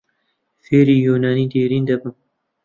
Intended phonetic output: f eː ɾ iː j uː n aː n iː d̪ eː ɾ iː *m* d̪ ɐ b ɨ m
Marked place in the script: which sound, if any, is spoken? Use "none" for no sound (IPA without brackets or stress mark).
n